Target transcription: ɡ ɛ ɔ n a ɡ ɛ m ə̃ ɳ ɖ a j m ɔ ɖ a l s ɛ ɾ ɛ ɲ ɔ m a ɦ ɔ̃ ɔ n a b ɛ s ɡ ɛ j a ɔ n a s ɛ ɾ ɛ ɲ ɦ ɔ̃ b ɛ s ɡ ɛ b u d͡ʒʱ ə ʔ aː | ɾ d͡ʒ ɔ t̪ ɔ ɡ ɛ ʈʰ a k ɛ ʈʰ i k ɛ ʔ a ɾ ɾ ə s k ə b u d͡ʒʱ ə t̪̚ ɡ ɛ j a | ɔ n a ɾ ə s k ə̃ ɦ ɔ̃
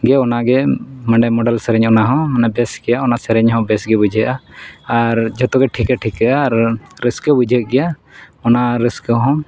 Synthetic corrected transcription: ɡ ɛ ɔ n a ɡ ɛ m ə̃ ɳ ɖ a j m ɔ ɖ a l s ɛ ɾ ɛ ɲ ɔ n a ɦ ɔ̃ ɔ n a b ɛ s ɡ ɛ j a ɔ n a s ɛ ɾ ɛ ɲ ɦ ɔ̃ b ɛ s ɡ ɛ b u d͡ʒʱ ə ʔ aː | ɾ d͡ʒ ɔ t̪ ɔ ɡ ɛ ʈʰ i k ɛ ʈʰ i k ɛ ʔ a ɾ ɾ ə s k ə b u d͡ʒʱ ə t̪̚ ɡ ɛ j a | ɔ n a ɾ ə s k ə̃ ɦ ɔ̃